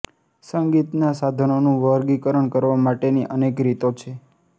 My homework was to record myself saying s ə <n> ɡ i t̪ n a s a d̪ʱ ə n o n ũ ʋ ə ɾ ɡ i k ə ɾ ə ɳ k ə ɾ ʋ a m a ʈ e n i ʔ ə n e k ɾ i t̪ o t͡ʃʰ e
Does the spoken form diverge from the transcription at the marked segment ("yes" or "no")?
yes